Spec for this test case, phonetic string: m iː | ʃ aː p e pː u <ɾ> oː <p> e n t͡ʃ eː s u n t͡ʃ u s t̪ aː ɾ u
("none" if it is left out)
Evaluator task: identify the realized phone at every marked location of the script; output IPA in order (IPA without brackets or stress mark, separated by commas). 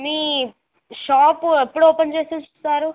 ɽ, p